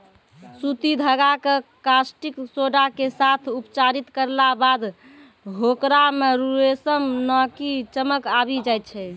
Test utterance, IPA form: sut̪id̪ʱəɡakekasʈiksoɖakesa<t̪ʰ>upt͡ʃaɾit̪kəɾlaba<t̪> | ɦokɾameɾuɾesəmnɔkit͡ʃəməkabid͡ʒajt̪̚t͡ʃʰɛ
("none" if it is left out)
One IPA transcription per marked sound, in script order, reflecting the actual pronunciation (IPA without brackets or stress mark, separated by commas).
t̪ʰ, d̪